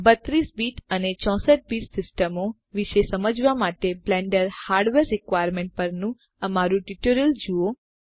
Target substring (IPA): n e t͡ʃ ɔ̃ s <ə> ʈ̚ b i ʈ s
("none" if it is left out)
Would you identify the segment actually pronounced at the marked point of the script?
ə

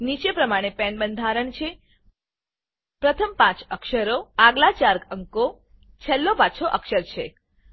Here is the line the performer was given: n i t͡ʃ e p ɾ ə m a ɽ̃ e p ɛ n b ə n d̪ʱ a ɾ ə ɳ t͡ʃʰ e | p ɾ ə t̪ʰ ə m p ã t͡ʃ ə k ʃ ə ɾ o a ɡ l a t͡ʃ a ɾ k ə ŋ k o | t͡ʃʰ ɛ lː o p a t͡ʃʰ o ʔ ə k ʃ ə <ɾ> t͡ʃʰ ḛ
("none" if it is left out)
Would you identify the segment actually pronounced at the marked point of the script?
ɾ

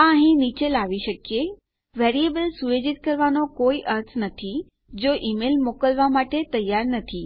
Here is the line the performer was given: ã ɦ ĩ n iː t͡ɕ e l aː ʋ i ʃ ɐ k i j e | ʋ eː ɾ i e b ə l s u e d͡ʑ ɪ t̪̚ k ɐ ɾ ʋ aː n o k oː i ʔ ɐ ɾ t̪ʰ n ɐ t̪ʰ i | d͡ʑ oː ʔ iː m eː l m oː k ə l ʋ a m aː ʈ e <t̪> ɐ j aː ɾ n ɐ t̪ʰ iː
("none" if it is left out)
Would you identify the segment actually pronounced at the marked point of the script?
t̪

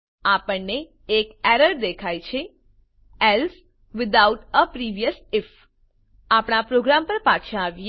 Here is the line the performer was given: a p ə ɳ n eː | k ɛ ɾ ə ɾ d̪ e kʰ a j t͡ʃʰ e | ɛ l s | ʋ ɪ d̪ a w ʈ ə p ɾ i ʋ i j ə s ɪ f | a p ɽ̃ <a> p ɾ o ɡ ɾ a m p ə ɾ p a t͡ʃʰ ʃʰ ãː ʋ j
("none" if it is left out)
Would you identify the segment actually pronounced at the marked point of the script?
a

